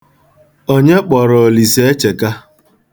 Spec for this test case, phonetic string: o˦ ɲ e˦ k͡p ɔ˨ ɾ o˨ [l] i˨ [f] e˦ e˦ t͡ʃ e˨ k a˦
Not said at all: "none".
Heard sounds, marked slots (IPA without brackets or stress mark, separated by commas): l, s